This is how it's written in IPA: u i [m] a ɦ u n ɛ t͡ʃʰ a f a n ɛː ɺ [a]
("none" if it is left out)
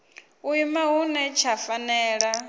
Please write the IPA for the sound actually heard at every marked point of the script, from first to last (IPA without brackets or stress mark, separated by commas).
m, a